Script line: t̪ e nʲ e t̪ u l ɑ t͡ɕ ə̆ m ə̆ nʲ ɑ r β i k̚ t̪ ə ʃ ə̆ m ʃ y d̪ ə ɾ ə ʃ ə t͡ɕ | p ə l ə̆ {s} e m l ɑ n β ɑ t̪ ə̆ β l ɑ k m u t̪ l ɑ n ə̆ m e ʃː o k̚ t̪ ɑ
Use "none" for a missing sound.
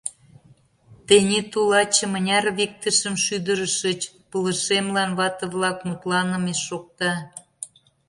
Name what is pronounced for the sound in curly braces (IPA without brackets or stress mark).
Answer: ʃ